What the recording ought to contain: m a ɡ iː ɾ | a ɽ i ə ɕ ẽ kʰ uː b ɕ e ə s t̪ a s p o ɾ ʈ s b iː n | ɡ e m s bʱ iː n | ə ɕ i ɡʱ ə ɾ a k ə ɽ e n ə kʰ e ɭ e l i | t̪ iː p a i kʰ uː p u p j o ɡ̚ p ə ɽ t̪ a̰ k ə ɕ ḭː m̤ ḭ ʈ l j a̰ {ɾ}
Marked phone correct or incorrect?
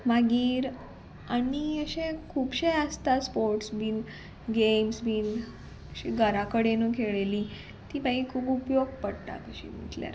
correct